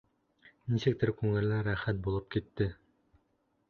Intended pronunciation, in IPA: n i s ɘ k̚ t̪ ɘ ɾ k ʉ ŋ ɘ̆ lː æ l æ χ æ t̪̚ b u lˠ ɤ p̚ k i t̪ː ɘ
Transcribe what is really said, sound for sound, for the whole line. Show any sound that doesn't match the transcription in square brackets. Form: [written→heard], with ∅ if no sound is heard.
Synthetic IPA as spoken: n i s ɘ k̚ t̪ ɘ ɾ k ʉ ŋ ɘ̆ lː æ [l→ɾ] æ χ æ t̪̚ b u lˠ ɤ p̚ k i t̪ː ɘ

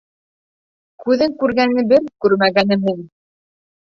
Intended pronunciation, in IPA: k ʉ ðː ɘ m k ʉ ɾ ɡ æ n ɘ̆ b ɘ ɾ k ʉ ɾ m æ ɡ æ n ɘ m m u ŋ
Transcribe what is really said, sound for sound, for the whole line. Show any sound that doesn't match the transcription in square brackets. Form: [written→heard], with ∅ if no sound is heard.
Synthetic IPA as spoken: k ʉ [ðː→ð] ɘ [m→ŋ] k ʉ ɾ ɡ æ n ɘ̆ b ɘ ɾ k ʉ ɾ m æ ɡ æ n ɘ m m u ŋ

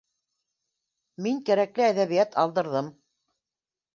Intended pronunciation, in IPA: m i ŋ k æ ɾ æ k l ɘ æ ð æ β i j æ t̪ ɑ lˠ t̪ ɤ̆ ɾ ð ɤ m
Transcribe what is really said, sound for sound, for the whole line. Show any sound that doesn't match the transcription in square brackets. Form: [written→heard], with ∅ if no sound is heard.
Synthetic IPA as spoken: m i ŋ k æ ɾ æ k l ɘ æ ð æ β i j æ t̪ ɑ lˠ [t̪→d̪] ɤ̆ ɾ ð ɤ m

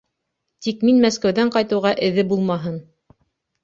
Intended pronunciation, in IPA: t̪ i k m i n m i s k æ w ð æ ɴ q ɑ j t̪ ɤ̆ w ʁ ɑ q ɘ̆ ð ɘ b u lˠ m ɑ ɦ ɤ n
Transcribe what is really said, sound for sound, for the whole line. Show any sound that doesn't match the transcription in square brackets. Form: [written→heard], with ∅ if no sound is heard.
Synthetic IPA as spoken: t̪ i k m i n m [i→æ] s k æ w ð æ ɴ q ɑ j t̪ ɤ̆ w ʁ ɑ [q→ʔ] ɘ̆ ð ɘ b u lˠ m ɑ ɦ ɤ n

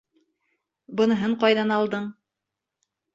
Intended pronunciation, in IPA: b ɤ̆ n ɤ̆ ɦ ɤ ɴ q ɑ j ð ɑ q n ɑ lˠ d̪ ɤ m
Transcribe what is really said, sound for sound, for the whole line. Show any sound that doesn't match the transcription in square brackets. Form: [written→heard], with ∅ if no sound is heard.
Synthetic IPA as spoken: b ɤ̆ n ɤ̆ ɦ ɤ ɴ q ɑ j ð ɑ [q→∅] n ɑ lˠ d̪ ɤ [m→ɴ]

